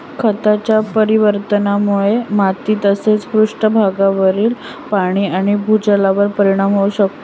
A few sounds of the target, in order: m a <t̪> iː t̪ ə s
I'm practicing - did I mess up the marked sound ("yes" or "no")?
no